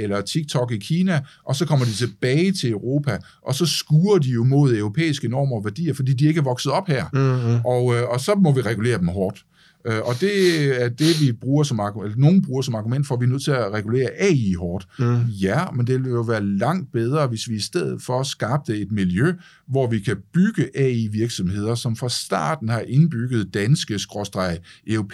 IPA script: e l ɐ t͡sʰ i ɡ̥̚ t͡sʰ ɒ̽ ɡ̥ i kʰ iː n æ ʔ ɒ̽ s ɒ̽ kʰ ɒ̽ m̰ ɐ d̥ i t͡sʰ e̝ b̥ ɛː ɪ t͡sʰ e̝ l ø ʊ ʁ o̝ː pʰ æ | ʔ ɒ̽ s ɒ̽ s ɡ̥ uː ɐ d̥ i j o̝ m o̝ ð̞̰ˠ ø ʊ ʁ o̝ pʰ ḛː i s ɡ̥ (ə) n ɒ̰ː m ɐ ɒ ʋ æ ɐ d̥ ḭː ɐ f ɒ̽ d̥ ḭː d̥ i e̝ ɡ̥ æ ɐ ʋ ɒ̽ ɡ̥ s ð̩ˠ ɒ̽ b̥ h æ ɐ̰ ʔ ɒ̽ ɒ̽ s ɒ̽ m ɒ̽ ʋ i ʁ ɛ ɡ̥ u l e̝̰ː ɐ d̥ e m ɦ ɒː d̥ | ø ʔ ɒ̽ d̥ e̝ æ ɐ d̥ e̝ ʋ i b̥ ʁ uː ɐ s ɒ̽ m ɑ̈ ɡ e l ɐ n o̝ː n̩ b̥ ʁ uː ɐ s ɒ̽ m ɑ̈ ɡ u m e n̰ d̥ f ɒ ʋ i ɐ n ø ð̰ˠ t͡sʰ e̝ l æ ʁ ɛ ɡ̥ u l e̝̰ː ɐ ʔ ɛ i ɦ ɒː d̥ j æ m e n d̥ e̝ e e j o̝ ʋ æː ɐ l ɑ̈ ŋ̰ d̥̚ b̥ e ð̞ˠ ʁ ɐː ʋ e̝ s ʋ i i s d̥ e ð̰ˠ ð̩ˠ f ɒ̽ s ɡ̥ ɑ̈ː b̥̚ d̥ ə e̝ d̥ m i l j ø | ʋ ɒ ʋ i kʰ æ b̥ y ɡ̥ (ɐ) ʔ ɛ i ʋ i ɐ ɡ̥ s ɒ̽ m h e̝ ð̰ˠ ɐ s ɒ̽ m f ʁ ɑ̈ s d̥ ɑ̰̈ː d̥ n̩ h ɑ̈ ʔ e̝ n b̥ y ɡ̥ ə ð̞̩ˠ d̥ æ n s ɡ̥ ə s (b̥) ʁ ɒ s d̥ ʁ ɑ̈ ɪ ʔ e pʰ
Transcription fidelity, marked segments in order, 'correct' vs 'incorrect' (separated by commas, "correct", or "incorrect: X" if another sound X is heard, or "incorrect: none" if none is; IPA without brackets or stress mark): correct, incorrect: ə, incorrect: ɡ̥